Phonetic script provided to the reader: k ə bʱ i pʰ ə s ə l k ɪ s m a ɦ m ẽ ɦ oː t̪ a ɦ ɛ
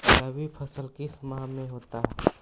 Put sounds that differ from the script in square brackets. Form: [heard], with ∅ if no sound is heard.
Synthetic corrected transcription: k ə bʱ i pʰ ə s ə l k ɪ s m a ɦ m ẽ ɦ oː t̪ a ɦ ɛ